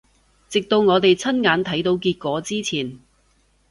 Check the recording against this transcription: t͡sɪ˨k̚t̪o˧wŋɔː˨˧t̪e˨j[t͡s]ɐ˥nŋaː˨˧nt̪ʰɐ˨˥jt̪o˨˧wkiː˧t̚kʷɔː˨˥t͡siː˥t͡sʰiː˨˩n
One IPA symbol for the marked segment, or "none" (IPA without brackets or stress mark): t͡sʰ